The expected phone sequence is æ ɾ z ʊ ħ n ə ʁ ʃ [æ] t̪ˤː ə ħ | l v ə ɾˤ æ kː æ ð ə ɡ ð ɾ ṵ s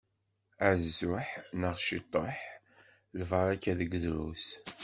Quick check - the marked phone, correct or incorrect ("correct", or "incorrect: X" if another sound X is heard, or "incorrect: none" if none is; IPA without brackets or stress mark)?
incorrect: i